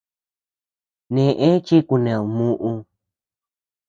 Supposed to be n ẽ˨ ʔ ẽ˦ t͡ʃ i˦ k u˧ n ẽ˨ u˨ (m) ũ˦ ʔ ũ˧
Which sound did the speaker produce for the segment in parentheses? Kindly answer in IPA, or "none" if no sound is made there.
m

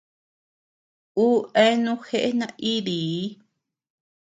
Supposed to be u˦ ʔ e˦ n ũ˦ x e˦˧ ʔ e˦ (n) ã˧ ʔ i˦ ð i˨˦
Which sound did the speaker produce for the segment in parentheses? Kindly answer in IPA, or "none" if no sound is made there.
n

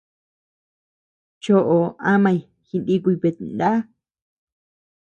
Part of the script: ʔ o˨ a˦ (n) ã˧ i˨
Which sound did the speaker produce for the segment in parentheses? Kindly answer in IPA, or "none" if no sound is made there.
m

